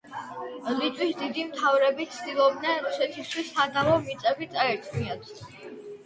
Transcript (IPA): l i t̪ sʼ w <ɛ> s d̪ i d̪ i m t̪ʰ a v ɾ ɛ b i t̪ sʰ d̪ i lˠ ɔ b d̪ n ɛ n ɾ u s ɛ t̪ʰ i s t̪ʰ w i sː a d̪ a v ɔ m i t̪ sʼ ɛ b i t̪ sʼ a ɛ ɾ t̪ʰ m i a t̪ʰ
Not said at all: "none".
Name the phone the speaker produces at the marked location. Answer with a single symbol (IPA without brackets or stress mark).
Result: i